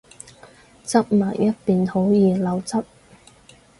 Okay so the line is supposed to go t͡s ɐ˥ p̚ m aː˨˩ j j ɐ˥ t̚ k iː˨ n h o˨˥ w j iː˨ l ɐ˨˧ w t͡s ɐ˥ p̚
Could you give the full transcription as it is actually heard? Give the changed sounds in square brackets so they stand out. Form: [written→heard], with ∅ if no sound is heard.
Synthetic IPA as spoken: t͡s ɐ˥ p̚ m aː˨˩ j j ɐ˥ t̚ [k→p] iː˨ n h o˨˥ w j iː˨ l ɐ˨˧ w t͡s ɐ˥ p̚